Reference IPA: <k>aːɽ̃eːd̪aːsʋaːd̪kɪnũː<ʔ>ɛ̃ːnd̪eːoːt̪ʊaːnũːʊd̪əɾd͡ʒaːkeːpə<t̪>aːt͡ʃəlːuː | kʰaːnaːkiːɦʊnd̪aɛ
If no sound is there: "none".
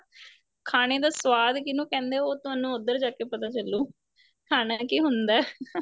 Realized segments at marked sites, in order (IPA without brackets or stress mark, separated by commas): kʰ, k, t̪